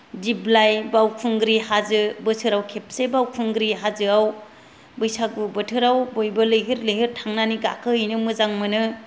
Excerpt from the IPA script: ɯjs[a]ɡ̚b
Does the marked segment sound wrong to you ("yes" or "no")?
no